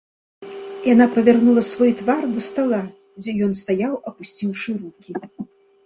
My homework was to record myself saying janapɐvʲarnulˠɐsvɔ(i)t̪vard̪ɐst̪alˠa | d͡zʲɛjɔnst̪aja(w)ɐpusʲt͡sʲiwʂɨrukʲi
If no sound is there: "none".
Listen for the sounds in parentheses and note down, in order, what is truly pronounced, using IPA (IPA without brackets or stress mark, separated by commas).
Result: j, w